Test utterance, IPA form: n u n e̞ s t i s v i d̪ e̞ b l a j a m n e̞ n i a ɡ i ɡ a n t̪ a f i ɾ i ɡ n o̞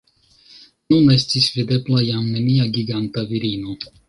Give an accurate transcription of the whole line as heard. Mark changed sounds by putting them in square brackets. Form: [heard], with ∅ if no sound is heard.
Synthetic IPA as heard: n u n e̞ s t i s v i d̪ e̞ b l a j a m n e̞ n i a ɡ i ɡ a n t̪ a [v] i ɾ i [∅] n o̞